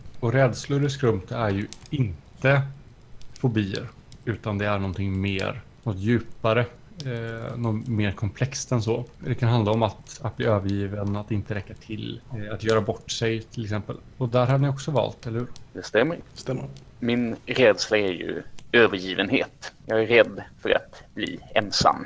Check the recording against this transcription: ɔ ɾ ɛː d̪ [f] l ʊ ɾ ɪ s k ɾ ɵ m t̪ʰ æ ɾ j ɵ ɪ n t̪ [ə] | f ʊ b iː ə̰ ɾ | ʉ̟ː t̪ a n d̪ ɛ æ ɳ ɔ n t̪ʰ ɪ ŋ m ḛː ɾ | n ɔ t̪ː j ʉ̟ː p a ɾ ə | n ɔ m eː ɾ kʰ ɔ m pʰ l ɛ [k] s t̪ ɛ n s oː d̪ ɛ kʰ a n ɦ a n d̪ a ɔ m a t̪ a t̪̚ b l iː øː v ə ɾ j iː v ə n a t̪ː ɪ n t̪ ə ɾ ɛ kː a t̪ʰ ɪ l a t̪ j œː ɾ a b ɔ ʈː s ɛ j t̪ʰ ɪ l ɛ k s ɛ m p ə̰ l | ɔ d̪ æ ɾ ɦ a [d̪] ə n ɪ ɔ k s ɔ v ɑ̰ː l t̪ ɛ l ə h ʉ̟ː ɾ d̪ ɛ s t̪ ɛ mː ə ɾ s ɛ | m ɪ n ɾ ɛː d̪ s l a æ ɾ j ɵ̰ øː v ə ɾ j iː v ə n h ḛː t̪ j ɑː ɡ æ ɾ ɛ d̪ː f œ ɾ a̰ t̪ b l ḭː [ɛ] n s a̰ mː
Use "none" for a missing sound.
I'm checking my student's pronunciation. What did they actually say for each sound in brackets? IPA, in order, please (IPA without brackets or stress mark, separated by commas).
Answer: s, ə, k, d̪, ɛ